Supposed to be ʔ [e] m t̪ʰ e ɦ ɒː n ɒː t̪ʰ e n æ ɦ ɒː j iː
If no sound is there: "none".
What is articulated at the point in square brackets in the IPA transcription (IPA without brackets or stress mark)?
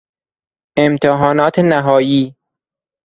e